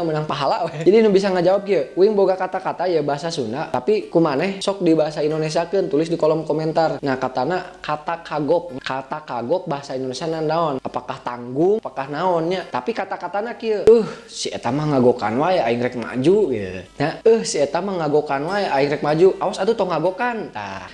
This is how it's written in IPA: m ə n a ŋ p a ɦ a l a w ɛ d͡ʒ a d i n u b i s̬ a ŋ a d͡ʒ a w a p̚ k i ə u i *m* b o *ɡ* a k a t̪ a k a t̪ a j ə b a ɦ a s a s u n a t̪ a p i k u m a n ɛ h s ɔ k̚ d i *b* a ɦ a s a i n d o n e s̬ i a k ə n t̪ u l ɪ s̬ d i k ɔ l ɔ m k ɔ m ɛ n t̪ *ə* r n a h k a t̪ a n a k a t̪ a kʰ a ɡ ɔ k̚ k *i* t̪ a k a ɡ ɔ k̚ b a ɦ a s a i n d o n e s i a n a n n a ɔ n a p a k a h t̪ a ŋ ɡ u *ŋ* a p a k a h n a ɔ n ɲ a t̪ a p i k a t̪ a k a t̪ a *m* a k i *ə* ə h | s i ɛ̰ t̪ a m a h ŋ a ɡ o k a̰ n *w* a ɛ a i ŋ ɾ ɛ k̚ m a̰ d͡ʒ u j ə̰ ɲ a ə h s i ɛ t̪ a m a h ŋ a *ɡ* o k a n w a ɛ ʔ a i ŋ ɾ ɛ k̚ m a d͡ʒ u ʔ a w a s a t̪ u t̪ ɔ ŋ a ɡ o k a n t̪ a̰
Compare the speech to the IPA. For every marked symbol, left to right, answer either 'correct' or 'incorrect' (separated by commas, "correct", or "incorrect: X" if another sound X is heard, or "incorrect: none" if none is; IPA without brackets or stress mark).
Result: incorrect: ŋ, correct, correct, incorrect: a, incorrect: a, correct, incorrect: n, correct, correct, correct